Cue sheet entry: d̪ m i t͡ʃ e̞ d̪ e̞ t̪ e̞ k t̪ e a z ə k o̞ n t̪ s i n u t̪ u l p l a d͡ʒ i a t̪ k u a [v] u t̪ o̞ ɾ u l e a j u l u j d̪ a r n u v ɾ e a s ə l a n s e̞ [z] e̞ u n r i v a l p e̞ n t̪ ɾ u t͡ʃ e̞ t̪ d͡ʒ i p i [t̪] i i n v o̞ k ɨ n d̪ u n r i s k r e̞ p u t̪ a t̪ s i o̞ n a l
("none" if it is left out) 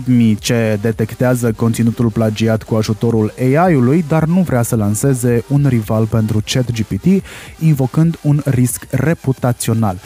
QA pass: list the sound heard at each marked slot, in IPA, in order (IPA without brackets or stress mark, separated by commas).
ʒ, z, t̪